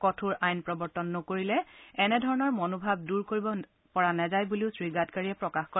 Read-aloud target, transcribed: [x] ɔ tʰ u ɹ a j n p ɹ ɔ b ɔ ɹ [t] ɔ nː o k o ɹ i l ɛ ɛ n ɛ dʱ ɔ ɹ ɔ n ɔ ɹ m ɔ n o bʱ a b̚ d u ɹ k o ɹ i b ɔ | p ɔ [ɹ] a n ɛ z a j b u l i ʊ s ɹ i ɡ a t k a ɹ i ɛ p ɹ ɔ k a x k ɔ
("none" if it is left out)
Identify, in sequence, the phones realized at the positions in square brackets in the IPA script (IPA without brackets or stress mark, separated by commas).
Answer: k, t, ɹ